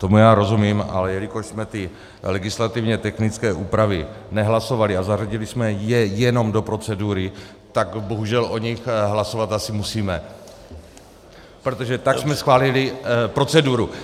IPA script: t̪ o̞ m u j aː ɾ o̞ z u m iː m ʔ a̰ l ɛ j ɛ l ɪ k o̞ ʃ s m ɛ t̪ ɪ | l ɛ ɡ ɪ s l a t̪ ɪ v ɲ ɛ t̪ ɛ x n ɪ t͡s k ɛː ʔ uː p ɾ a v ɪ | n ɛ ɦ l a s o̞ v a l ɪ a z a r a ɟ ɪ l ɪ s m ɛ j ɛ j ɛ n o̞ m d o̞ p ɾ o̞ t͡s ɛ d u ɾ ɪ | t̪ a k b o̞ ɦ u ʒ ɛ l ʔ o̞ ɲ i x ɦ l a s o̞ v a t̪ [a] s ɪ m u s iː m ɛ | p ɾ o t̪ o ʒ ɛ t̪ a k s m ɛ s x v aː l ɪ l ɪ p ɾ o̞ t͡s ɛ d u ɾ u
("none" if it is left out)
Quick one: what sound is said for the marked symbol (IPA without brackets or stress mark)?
a